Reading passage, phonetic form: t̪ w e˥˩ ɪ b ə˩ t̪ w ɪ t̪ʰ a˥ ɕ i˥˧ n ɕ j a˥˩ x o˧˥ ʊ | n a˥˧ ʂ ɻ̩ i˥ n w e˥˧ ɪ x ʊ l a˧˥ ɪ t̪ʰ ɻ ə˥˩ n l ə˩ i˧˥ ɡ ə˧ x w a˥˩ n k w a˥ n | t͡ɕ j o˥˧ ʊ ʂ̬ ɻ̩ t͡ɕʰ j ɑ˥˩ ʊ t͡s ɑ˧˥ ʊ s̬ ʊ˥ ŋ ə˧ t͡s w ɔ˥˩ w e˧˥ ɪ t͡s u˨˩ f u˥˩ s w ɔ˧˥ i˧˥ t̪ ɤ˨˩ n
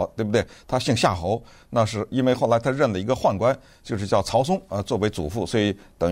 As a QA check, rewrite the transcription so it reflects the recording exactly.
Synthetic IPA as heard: t̪ w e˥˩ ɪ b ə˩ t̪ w ɪ t̪ʰ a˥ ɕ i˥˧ ŋ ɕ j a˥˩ x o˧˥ ʊ | n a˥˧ ʂ ɻ̩ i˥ n w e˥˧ ɪ x ʊ l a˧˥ ɪ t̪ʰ ɻ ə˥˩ n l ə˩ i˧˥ ɡ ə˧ x w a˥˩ n k w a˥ n | t͡ɕ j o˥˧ ʊ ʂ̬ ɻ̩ t͡ɕ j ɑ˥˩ ʊ t͡sʰ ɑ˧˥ ʊ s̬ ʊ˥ ŋ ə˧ t͡s w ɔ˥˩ w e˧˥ ɪ t͡s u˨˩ f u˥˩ s w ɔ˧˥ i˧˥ t̪ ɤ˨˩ ŋ